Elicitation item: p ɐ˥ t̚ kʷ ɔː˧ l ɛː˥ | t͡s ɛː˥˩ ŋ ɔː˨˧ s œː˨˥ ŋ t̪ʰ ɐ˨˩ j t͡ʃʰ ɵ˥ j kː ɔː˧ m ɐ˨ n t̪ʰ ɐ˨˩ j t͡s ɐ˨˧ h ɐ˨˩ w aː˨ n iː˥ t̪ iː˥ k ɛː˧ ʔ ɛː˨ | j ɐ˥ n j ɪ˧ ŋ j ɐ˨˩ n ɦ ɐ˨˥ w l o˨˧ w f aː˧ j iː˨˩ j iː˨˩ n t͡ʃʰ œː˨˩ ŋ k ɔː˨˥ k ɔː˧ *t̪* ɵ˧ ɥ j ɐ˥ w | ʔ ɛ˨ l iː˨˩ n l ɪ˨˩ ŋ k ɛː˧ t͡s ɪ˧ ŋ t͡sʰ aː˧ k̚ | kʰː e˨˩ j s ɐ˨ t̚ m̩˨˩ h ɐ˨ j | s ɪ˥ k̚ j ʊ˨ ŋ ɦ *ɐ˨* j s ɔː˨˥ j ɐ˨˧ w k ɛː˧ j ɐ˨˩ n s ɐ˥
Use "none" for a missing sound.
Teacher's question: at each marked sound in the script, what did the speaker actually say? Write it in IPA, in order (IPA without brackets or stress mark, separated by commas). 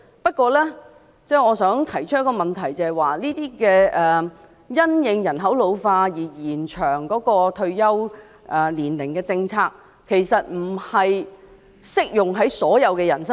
t̪ʰ, ɐ˨˥